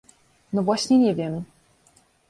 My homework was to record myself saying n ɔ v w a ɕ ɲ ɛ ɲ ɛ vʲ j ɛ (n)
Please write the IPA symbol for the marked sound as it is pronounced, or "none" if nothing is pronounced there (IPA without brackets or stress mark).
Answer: m